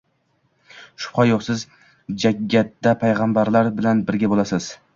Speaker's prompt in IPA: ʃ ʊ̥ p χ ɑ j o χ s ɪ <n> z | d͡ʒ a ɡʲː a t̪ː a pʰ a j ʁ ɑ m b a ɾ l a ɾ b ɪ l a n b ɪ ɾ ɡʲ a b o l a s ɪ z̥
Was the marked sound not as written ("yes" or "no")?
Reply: yes